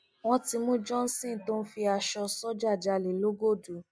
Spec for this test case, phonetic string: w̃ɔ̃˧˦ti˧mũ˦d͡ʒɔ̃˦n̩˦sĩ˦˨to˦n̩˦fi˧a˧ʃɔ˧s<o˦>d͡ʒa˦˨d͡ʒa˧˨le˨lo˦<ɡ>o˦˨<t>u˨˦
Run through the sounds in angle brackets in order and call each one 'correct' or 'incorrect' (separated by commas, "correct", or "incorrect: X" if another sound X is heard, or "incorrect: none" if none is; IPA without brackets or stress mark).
incorrect: ɔ˦, correct, incorrect: d